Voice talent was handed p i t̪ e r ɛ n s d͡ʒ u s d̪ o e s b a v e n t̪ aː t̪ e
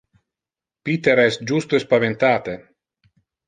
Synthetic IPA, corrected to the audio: p i t̪ e ɾ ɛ s d͡ʒ u s t̪ o e s p a v e n t̪ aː t̪ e